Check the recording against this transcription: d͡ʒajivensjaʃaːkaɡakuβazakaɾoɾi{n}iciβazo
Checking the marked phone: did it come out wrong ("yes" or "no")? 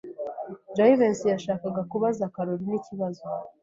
no